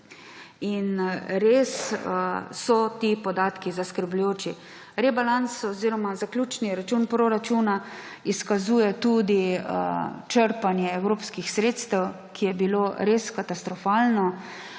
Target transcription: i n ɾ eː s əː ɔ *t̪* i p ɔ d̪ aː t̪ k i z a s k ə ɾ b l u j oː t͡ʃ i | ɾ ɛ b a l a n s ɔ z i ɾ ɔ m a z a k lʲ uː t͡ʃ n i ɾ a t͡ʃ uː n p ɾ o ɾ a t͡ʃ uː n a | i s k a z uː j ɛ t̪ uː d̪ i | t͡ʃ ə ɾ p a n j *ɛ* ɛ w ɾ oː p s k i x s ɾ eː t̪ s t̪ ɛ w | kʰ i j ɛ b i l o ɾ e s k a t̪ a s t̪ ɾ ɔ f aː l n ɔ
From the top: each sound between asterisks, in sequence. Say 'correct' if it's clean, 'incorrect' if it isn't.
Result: correct, correct

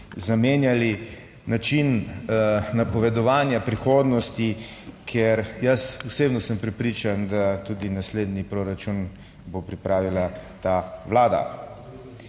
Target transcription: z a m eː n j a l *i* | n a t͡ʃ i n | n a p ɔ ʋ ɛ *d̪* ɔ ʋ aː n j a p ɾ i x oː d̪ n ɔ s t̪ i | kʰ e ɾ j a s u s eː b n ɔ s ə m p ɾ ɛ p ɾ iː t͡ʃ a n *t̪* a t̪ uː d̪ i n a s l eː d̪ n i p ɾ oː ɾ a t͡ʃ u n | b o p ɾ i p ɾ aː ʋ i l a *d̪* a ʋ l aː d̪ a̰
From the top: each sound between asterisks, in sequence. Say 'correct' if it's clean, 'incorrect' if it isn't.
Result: correct, correct, incorrect: d̪, incorrect: t̪

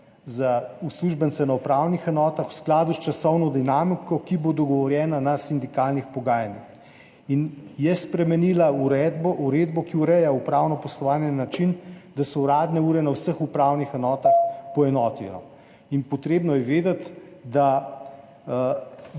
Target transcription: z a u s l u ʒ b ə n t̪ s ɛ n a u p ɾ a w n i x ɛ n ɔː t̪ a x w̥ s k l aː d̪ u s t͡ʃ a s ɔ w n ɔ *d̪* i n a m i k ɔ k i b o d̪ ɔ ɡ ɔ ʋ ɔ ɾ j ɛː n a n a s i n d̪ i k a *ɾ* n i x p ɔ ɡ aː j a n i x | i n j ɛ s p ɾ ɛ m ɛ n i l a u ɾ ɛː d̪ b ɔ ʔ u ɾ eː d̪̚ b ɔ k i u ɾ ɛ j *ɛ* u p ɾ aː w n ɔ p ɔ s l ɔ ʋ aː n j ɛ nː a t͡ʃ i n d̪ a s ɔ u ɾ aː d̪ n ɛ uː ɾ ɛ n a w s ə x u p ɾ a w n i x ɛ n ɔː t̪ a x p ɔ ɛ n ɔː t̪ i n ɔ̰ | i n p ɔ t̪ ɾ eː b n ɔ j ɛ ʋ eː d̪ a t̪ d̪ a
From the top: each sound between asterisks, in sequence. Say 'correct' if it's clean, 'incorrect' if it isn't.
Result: correct, incorrect: l, incorrect: a

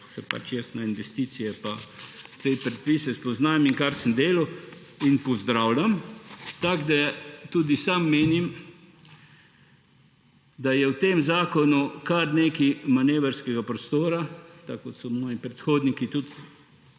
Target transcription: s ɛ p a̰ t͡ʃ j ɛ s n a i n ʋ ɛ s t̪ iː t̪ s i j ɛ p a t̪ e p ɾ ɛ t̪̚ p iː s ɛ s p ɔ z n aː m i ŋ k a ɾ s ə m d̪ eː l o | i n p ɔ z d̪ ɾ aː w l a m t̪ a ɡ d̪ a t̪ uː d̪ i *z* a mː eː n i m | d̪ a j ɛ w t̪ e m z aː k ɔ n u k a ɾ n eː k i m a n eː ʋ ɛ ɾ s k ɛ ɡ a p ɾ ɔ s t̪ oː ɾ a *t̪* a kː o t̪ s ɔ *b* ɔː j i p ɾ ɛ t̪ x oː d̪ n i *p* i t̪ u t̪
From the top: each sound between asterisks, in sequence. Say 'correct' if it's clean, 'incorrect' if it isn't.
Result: incorrect: s, correct, incorrect: m, incorrect: k

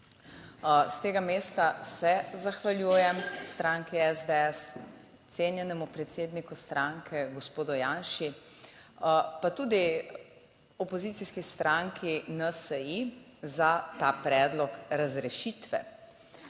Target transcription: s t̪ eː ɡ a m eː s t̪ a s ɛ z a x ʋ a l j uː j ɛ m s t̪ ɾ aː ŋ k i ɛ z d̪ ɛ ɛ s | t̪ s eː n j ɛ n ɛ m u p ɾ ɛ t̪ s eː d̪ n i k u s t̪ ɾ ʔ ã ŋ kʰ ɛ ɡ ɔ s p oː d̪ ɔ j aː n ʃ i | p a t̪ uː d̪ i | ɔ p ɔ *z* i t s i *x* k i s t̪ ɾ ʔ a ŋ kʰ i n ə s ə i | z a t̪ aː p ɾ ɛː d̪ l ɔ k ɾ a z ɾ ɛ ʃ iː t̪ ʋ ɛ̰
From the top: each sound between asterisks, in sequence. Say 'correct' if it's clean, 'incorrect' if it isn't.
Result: correct, incorrect: s

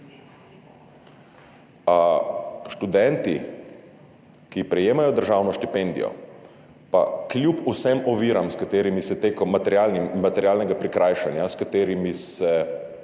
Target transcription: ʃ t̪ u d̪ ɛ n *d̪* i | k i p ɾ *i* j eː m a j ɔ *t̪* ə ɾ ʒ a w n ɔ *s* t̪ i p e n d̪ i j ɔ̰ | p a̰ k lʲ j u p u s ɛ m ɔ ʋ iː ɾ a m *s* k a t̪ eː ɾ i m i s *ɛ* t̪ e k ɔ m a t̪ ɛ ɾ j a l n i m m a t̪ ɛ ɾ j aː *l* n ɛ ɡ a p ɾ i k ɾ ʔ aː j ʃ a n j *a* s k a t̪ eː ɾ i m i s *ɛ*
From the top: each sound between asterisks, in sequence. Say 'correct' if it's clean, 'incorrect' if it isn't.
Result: incorrect: t̪, incorrect: ɛ, incorrect: d̪, incorrect: ʃ, correct, correct, correct, correct, correct

